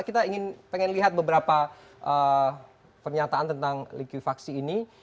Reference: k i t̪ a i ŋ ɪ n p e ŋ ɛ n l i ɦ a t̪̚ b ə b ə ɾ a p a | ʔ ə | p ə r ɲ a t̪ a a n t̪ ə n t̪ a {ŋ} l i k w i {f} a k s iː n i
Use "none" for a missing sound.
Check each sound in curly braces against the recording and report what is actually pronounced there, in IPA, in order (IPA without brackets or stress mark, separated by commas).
ŋ, f